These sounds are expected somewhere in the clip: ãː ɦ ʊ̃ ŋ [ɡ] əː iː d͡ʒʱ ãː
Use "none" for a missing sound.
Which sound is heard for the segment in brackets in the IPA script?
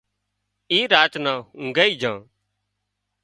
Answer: ɡ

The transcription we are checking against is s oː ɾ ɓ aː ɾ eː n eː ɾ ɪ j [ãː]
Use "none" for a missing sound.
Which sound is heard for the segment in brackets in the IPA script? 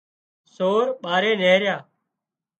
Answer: aː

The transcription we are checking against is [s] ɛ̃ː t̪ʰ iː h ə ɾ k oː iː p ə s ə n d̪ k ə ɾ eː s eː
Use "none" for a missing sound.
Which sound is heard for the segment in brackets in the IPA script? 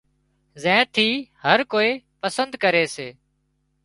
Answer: z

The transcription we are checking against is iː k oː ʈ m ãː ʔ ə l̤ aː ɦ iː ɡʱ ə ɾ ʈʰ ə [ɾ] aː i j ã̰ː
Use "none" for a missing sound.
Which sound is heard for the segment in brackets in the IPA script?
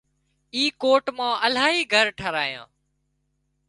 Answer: ɾ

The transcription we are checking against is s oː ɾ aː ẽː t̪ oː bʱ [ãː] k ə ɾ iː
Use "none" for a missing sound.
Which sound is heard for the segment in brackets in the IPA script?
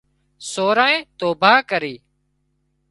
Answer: aː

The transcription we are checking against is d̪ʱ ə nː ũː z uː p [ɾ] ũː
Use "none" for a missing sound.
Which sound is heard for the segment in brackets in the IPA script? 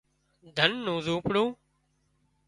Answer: ɽ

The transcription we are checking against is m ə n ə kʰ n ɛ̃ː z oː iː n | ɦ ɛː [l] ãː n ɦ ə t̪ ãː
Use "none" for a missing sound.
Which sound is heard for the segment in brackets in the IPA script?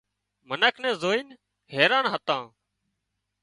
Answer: ɾ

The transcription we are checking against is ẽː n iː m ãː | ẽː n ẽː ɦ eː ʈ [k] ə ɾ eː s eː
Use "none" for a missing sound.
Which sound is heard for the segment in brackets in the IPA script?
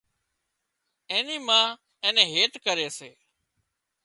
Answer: k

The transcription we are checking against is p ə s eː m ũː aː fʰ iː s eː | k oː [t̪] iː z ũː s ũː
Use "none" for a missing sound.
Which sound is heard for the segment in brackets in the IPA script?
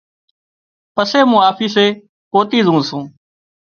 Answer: t̪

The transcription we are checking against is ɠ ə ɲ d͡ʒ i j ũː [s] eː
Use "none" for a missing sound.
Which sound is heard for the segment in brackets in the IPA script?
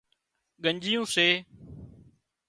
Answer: s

